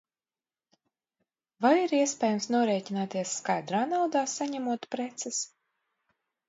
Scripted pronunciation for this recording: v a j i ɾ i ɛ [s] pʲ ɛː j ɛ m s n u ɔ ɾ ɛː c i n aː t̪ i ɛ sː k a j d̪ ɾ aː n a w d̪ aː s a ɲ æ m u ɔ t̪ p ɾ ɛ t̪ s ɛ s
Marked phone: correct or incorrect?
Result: correct